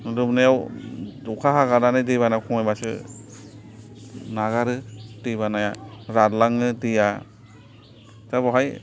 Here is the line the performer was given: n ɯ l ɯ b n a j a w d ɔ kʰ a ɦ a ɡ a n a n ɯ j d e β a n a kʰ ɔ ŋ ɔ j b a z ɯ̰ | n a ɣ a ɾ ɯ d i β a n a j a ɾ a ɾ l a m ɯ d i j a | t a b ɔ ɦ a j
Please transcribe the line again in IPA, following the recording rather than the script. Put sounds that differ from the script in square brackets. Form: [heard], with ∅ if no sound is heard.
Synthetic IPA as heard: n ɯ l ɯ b n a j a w d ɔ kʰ a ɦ a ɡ a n a n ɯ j d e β a n a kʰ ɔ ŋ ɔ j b a [s] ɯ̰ | n a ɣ a ɾ ɯ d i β a n a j a ɾ a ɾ l a [ŋ] ɯ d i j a | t a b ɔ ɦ a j